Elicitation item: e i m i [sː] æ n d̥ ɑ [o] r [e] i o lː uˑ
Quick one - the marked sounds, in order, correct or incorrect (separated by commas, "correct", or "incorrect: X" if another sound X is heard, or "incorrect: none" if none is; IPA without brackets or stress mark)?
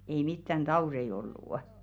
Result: incorrect: tː, incorrect: u, correct